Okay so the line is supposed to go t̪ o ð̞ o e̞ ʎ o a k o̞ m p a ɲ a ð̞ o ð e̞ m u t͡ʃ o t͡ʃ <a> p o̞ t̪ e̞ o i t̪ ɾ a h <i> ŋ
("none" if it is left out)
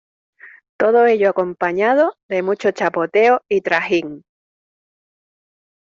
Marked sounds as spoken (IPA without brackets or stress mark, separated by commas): a, i